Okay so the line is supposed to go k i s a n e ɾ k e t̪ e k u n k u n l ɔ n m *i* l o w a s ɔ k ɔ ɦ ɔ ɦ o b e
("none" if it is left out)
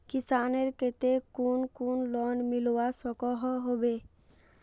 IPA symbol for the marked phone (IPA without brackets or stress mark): i